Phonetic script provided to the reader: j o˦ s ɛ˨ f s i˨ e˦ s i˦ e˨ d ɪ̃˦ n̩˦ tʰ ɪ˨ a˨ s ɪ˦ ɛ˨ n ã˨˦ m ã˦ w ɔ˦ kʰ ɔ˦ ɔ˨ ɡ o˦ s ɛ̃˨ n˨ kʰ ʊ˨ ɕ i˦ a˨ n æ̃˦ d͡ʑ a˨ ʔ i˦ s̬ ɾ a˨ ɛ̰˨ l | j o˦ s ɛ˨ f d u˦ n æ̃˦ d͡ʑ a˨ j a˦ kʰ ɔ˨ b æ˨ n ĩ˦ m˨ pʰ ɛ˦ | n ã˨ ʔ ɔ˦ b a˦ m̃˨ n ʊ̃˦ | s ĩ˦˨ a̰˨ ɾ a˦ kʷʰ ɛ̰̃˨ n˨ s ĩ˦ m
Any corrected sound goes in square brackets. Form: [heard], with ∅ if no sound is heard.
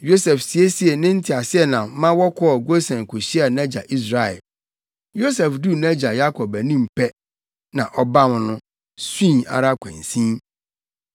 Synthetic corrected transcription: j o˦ s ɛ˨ f s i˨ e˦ s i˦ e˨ [n] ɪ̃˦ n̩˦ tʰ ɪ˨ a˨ s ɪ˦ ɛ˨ n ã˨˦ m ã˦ w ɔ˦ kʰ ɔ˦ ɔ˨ ɡ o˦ s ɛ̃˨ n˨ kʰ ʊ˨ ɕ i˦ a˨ n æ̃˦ d͡ʑ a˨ ʔ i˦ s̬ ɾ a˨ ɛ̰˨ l | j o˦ s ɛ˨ f d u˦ n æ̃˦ d͡ʑ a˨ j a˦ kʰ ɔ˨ b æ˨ n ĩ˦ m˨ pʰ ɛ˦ | n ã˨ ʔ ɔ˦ b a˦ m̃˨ n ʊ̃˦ | s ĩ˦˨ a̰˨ ɾ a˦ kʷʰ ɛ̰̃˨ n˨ s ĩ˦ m